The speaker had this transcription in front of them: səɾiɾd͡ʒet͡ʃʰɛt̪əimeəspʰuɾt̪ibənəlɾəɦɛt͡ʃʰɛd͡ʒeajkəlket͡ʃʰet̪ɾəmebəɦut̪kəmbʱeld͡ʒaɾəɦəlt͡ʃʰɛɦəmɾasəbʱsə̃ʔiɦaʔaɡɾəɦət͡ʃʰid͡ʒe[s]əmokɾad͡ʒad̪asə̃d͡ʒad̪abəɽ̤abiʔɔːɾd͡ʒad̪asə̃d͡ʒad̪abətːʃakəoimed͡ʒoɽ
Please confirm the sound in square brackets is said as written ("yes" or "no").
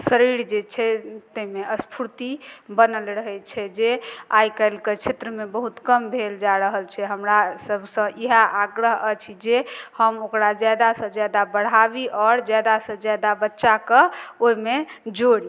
no